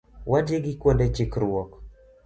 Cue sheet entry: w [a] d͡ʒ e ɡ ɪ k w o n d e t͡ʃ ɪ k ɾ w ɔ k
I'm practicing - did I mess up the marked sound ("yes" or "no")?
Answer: no